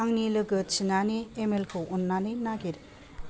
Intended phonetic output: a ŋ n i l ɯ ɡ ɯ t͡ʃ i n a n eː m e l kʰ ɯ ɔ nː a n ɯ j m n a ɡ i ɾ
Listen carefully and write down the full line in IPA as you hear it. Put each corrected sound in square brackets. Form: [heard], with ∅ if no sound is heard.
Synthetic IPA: a ŋ n i l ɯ ɡ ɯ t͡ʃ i n a n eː m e l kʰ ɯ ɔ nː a n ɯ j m n a ɡ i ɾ